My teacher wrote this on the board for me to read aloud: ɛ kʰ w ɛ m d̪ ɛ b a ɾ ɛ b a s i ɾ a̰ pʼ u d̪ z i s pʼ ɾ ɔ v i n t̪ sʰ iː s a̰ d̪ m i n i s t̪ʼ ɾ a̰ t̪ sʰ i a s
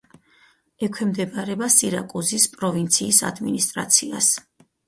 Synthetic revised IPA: ɛ kʰ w ɛ m d̪ ɛ b a ɾ ɛ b a s i ɾ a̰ kʼ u z i s pʼ ɾ ɔ v i n t̪ sʰ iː s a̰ d̪ m i n i s t̪ʼ ɾ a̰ t̪ sʰ i a s